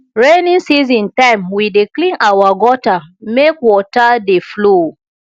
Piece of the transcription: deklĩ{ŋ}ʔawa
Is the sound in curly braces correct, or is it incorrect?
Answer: incorrect